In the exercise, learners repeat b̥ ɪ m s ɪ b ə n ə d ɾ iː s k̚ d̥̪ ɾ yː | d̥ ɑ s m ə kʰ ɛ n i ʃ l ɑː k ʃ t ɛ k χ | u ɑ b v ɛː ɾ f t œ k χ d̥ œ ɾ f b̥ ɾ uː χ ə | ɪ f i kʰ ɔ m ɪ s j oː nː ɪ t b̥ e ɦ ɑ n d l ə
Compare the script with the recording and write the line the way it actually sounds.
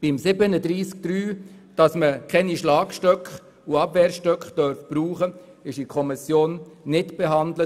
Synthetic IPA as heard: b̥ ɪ m s ɪ b ə n ə d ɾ iː s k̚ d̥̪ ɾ yː | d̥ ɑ s m ə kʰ ɛ n i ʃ l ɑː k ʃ t œ k χ | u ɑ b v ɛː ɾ ʃ t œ k χ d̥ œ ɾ f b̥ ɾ uː χ ə | ɪ ʃ i kʰ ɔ m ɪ s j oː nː ɪ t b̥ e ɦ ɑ n d l ə